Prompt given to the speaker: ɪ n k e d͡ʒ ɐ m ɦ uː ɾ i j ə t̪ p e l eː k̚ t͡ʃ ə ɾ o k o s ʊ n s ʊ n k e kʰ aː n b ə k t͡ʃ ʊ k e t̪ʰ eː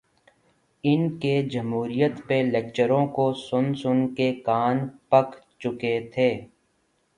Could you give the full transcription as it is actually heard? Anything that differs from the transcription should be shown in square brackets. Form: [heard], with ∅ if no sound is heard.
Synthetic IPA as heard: ɪ n k e d͡ʒ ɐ m ɦ uː ɾ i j ə t̪ p e l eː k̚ t͡ʃ ə ɾ [õ] k o s ʊ n s ʊ n k e [k] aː n [p] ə k t͡ʃ ʊ k e t̪ʰ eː

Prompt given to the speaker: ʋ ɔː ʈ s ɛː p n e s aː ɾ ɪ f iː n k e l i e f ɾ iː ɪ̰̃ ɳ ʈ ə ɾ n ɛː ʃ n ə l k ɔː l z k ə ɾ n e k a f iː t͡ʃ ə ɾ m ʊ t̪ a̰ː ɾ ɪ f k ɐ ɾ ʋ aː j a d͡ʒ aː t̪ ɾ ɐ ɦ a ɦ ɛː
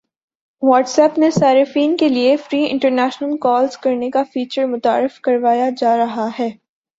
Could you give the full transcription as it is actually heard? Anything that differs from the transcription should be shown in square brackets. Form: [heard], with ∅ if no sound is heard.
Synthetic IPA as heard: ʋ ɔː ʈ s ɛː p n e s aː ɾ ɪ f iː n k e l i e f ɾ iː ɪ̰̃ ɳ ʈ ə ɾ n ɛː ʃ n ə l k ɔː l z k [ɐ] ɾ n e k a f iː t͡ʃ ə ɾ m ʊ t̪ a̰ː ɾ ɪ f k ɐ ɾ ʋ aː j a d͡ʒ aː [∅] ɾ ɐ ɦ a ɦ ɛː

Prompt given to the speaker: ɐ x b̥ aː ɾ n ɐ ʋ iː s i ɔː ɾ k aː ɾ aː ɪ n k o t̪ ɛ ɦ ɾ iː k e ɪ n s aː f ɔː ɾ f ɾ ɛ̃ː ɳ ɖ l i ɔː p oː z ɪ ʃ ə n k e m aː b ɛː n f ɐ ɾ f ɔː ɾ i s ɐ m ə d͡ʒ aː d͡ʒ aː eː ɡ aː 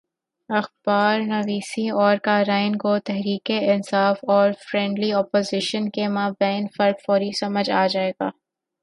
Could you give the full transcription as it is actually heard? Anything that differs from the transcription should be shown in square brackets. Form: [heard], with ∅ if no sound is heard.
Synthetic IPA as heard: ɐ x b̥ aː ɾ n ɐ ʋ iː s i ɔː ɾ k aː ɾ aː ɪ n k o t̪ ɛ ɦ ɾ iː k e ɪ n s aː f ɔː ɾ f ɾ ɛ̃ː ɳ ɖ l i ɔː p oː z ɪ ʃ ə n k e m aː b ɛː n f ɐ ɾ f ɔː ɾ i s ɐ m ə d͡ʒ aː d͡ʒ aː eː ɡ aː

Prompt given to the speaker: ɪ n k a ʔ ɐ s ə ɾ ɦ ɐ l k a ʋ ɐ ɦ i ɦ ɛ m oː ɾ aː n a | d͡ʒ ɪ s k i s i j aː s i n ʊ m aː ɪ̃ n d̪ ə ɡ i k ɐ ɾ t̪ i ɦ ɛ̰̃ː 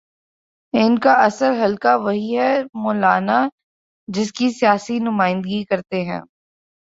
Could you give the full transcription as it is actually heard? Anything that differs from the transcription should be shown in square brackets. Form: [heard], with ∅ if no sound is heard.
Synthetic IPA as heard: ɪ n k a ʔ ɐ s ə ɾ ɦ ɐ l k a ʋ ɐ ɦ i ɦ ɛ m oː [l] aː n a | d͡ʒ ɪ s k i s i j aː s i n ʊ m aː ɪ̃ n d̪ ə ɡ i k ɐ ɾ t̪ [e] ɦ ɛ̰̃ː

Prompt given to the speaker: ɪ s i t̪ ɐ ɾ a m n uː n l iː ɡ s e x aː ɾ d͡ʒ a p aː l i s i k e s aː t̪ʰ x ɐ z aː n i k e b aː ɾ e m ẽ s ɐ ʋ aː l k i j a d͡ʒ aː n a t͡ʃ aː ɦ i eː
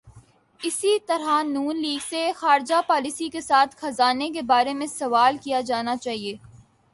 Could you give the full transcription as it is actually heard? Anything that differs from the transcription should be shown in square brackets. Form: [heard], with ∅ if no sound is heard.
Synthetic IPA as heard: ɪ s i t̪ ɐ ɾ a [∅] n uː n l iː ɡ s e x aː ɾ d͡ʒ a p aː l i s i k e s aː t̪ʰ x ɐ z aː n [e] k e b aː ɾ e m ẽ s ɐ ʋ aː l k i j a d͡ʒ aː n a t͡ʃ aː ɦ i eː

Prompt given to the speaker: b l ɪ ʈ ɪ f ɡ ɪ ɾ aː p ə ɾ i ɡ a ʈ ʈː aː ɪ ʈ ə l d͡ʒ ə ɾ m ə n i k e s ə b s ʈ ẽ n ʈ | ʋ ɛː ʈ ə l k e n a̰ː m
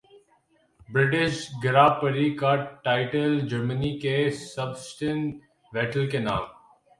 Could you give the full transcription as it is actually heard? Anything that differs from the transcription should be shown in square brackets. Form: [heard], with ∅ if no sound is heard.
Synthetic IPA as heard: b [ɾ] ɪ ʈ ɪ [ʃ] ɡ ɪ ɾ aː p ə ɾ i [k] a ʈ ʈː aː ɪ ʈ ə l d͡ʒ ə ɾ m ə n i k e s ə b s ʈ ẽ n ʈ | ʋ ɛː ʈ ə l k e n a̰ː m

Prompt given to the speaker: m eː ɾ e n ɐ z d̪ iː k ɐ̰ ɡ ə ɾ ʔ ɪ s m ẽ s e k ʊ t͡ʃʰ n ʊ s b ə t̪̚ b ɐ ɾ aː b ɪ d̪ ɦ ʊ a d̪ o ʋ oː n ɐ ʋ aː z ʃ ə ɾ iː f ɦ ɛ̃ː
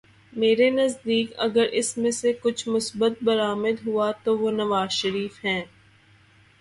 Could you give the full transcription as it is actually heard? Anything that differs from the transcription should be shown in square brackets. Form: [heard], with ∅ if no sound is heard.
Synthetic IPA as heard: m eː ɾ e n ɐ z d̪ iː k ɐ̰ ɡ ə ɾ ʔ ɪ s m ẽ s e k ʊ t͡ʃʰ [m] ʊ s b ə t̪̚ b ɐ ɾ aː [m] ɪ d̪ ɦ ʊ a [t̪] o ʋ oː n ɐ ʋ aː z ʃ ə ɾ iː f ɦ ɛ̃ː

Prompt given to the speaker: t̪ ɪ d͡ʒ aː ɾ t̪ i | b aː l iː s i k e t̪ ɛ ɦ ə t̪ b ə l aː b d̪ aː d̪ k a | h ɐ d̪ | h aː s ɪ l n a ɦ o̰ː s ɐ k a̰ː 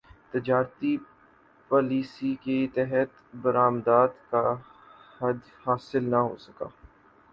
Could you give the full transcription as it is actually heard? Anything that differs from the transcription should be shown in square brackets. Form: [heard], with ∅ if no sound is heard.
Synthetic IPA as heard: t̪ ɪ d͡ʒ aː ɾ t̪ i | [p] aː l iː s i k e t̪ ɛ ɦ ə t̪ b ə [ɾ] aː [m] d̪ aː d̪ k a | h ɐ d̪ | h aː s ɪ l n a ɦ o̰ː s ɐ k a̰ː

